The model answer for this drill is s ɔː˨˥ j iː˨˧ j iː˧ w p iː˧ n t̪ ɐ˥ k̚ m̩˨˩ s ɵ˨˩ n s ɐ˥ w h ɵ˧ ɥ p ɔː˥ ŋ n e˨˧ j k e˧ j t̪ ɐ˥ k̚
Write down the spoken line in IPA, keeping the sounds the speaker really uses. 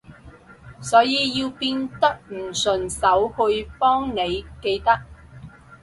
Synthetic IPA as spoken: s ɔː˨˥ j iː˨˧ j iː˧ w p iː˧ n t̪ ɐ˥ k̚ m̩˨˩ s ɵ˨˩ n s ɐ˨˥ w h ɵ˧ ɥ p ɔː˥ ŋ n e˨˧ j k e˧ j t̪ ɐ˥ k̚